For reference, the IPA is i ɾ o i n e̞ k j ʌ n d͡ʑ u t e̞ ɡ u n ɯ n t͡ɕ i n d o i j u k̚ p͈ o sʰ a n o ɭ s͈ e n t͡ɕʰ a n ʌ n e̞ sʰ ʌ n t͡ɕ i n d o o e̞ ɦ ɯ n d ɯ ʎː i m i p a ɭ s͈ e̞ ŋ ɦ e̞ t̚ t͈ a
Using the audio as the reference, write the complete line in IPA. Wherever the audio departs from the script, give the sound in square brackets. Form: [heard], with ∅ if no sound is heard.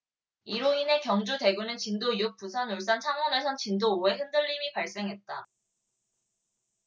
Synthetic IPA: i ɾ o i n e̞ k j ʌ [ŋ] d͡ʑ u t e̞ ɡ u n ɯ n t͡ɕ i n d o i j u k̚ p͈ [u] sʰ a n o ɭ s͈ [a] n t͡ɕʰ a [ŋ] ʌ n e̞ sʰ ʌ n t͡ɕ i n d o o e̞ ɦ ɯ n d ɯ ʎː i m i p a ɭ s͈ e̞ ŋ ɦ e̞ t̚ t͈ a